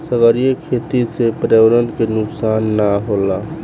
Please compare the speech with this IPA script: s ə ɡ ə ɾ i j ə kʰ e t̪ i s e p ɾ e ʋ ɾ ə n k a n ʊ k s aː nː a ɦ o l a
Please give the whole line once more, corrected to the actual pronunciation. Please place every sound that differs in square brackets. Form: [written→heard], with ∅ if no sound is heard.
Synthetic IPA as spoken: s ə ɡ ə ɾ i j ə kʰ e t̪ i s e p ɾ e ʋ ɾ ə n k [a→e] n ʊ k s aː nː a ɦ o l a